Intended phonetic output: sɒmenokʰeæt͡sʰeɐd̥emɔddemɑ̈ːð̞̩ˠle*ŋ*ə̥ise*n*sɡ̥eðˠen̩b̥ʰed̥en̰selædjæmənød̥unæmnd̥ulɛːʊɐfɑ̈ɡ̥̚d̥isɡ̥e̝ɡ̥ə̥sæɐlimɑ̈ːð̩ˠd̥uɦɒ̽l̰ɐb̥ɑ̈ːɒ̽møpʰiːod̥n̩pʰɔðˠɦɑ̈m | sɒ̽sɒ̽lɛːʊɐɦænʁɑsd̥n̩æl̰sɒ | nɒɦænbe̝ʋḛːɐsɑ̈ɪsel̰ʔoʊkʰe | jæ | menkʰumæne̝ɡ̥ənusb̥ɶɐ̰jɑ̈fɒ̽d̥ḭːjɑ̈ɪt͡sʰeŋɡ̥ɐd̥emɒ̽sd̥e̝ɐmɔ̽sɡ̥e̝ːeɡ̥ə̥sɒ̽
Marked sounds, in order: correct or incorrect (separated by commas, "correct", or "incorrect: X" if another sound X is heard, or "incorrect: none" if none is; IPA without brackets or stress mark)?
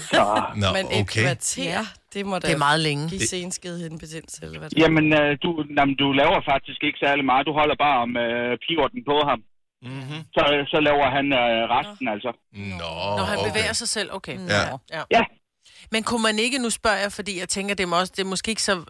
correct, correct